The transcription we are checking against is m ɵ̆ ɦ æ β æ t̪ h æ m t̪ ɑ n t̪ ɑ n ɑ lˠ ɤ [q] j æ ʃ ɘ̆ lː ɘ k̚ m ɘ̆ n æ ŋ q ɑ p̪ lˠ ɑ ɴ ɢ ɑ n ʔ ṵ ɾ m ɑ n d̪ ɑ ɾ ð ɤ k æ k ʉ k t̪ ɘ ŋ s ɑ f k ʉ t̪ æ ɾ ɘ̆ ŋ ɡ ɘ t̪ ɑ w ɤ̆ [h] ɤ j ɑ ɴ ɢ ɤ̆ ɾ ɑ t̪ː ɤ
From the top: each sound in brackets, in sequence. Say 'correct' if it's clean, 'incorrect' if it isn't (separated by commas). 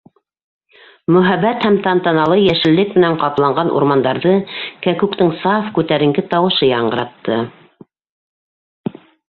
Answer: incorrect, incorrect